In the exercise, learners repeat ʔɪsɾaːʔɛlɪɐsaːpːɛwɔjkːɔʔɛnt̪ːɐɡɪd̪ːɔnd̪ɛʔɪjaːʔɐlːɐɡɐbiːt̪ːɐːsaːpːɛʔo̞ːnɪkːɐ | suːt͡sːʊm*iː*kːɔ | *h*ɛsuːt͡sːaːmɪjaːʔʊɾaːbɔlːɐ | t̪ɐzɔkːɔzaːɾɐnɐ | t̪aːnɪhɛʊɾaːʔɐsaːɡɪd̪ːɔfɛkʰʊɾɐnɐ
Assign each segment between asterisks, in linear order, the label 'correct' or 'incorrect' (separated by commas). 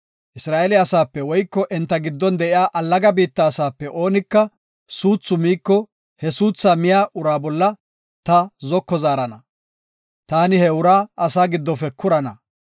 correct, correct